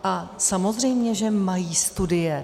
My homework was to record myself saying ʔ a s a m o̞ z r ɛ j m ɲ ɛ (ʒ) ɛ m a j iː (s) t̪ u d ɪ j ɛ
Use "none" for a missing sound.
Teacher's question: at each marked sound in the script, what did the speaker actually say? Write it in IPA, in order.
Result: ʒ, s

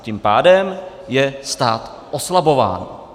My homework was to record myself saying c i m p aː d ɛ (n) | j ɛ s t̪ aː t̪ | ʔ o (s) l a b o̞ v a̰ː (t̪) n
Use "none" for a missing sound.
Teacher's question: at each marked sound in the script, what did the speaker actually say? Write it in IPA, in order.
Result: m, s, none

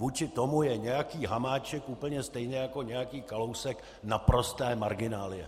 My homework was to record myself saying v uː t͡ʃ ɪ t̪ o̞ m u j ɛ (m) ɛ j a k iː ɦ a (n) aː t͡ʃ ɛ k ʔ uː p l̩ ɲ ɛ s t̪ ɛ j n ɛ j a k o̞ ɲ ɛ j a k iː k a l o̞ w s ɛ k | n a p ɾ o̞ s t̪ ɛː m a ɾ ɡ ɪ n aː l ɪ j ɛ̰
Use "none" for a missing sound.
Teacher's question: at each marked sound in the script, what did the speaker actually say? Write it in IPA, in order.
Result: ɲ, m

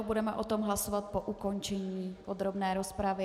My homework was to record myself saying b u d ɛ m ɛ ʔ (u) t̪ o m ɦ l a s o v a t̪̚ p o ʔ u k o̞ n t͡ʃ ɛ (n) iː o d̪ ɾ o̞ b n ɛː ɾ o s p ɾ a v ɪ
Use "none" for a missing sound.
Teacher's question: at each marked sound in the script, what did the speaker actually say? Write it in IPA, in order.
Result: o, ɲ

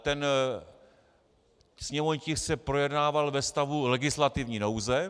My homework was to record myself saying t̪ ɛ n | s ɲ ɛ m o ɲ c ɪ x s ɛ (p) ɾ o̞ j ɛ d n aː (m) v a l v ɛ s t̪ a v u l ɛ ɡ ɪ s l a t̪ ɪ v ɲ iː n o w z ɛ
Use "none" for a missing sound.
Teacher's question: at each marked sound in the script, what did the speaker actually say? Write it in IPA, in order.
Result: p, none

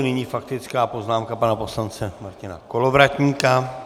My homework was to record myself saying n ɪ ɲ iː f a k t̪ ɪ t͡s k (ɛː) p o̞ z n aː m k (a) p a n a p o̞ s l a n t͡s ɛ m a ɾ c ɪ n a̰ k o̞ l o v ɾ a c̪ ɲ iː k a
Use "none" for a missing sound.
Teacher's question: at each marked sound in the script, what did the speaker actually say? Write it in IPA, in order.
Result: aː, a

